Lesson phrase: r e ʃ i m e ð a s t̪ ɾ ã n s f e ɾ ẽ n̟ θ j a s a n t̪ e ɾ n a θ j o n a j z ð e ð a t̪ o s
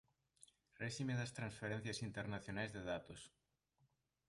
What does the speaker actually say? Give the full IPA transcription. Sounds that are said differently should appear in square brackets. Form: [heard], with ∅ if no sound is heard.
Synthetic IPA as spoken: r e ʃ i m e ð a s t̪ ɾ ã n s f e ɾ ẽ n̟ θ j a s [i] n t̪ e ɾ n a θ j o n a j z ð e ð a t̪ o s